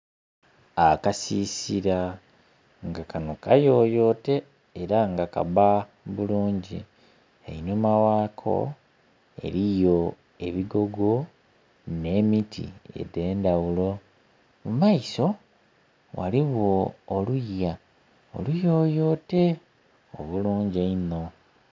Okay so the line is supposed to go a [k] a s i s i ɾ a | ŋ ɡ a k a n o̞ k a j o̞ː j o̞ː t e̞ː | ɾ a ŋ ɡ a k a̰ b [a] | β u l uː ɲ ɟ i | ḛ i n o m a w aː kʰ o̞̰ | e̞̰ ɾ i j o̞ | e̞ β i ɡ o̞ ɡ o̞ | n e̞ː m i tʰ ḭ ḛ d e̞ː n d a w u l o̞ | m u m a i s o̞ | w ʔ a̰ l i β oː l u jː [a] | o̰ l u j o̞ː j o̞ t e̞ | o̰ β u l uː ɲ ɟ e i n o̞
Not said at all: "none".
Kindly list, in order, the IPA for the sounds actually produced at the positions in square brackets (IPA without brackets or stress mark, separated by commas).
k, a, a